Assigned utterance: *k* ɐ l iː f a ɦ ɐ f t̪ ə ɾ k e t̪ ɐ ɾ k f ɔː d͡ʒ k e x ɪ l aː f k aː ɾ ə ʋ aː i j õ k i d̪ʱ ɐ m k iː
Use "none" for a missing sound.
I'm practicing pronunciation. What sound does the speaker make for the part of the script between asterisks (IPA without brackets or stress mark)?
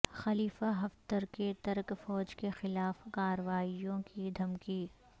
x